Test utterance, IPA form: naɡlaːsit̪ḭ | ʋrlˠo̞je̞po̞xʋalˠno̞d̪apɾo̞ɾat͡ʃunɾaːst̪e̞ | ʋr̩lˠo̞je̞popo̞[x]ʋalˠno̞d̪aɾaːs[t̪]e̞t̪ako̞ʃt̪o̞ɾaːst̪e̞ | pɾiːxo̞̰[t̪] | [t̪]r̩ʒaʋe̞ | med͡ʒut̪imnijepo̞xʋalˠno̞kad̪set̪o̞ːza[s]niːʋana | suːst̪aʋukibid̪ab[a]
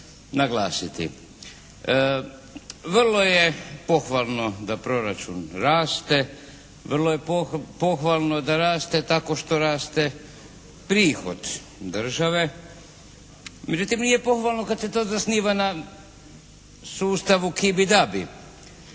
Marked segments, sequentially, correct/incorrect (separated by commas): correct, correct, incorrect, incorrect, correct, incorrect